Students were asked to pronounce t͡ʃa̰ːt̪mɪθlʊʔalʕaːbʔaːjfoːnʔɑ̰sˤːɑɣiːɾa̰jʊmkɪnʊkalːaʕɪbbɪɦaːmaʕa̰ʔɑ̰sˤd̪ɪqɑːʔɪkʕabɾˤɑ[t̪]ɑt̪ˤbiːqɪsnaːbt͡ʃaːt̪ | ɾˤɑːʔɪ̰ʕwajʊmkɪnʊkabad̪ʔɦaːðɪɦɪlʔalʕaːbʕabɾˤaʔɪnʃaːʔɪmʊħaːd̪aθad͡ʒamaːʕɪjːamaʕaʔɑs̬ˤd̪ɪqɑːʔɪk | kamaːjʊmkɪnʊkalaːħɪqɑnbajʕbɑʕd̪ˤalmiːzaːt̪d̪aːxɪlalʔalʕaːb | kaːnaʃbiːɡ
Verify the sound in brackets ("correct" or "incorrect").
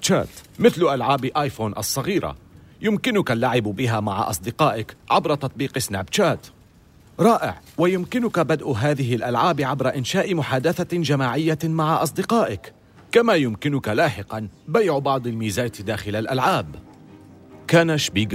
correct